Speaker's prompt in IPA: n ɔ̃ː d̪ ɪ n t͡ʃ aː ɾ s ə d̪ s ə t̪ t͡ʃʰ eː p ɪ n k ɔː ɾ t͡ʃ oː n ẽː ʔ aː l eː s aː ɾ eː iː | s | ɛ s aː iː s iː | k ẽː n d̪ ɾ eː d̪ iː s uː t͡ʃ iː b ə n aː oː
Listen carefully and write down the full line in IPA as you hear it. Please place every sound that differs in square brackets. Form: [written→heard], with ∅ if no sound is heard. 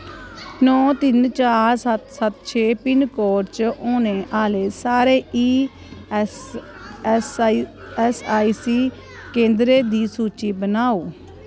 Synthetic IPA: n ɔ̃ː [d̪→t̪] ɪ n t͡ʃ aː ɾ s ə [d̪→t̪] s ə t̪ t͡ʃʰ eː p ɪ n k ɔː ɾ t͡ʃ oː n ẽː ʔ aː l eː s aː ɾ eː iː | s | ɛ s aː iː s iː | k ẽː n d̪ ɾ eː d̪ iː s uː t͡ʃ iː b ə n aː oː

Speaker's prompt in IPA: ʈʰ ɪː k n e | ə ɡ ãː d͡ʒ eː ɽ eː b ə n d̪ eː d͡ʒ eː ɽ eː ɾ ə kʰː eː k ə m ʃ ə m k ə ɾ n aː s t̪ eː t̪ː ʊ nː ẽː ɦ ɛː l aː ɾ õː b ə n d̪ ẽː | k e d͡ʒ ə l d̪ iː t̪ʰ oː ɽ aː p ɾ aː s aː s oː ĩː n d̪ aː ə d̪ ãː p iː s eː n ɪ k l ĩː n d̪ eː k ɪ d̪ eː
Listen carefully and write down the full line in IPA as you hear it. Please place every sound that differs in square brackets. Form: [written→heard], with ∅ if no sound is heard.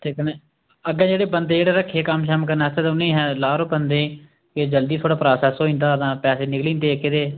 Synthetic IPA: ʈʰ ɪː k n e | ə ɡ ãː d͡ʒ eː ɽ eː b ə n d̪ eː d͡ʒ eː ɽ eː ɾ ə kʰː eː k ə m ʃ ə m k ə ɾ n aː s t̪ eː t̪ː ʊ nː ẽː ɦ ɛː l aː ɾ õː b ə n d̪ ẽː | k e d͡ʒ ə l d̪ iː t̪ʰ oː ɽ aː p ɾ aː s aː s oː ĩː n d̪ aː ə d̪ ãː p [iː→ɛː] s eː n ɪ k l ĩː n d̪ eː k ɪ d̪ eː

